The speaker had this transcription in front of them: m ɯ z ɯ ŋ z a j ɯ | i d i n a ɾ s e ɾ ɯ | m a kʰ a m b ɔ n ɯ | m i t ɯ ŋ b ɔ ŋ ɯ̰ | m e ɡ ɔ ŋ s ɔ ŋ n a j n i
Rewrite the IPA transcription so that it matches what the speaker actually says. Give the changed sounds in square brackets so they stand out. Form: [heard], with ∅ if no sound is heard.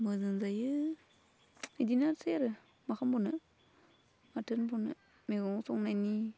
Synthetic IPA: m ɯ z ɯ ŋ z a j ɯ | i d i n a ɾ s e ɾ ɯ | m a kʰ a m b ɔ n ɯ | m [a] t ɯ [n] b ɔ [n] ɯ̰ | m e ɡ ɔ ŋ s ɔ ŋ n a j n i